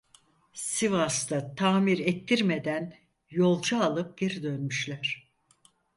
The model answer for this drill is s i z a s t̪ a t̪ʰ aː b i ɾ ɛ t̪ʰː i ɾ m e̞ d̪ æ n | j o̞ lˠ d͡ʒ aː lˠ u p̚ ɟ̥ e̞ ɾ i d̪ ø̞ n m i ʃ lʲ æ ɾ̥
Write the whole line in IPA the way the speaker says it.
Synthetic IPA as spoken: s i v a s t̪ a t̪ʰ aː m i ɾ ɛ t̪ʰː i ɾ m e̞ d̪ æ n | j o̞ lˠ d͡ʒ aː lˠ ɯ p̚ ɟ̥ e̞ ɾ i d̪ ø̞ n m y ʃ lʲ æ ɾ̥